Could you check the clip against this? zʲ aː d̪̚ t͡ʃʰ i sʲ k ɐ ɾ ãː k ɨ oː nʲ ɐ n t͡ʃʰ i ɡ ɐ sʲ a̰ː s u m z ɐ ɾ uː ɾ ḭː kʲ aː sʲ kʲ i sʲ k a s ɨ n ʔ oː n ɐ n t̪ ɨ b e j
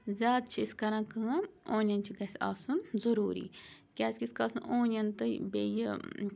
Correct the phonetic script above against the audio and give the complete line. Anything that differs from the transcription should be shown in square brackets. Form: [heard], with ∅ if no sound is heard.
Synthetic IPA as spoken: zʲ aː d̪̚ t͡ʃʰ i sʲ k ɐ ɾ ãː k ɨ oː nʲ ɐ n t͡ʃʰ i ɡ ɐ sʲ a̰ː s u [n] z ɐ ɾ uː ɾ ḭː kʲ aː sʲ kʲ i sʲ k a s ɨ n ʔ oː n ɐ n t̪ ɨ b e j